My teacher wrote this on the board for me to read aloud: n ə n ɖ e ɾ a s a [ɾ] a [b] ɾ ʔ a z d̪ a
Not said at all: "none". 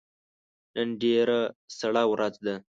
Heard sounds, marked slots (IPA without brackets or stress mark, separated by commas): ɽ, w